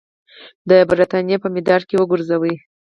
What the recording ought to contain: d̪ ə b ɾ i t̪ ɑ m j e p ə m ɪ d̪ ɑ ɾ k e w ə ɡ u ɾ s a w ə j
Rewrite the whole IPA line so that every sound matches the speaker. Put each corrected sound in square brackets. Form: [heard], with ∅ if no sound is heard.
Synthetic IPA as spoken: d̪ ə b ɾ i t̪ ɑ [n] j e p ə m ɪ d̪ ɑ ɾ k e w ə ɡ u ɾ [z] a w ə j